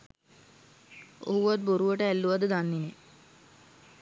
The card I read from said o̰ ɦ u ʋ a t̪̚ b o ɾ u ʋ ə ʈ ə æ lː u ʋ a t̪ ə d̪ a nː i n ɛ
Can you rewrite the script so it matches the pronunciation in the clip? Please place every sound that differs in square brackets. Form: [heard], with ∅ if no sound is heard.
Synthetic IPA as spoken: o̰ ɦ u ʋ a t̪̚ b o ɾ u ʋ ə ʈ ə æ lː u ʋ a [d̪] ə d̪ a nː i n [e]